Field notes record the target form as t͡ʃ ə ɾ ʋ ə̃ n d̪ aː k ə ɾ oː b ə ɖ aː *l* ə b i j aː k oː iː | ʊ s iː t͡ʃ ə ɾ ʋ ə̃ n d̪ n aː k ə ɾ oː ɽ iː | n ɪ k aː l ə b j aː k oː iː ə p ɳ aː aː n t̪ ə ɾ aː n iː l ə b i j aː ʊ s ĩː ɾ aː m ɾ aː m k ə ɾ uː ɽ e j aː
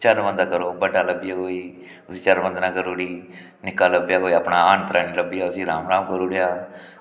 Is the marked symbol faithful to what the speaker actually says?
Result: yes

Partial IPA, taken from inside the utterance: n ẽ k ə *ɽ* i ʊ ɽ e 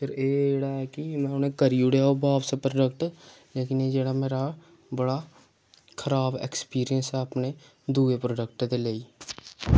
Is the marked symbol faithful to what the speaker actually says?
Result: no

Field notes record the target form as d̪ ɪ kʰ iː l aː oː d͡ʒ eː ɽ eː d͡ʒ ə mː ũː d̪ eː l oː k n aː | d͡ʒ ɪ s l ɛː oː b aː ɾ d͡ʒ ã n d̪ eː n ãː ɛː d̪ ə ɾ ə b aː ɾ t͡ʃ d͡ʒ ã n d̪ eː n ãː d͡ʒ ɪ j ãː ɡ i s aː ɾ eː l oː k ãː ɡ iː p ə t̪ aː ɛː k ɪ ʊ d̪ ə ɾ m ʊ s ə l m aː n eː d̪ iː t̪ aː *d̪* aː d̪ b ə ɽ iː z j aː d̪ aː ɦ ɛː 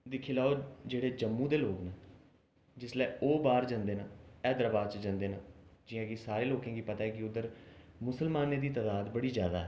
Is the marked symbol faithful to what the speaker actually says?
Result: yes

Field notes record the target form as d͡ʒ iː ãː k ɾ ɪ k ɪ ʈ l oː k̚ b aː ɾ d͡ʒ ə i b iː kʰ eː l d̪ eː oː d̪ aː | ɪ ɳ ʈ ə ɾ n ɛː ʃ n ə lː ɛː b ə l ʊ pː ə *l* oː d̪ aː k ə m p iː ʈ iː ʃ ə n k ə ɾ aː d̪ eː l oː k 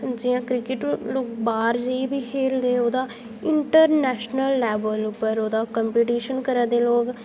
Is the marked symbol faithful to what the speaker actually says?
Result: no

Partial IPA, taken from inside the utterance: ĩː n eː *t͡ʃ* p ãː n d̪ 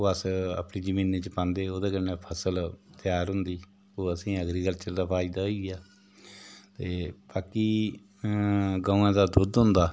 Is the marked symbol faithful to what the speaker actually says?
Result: yes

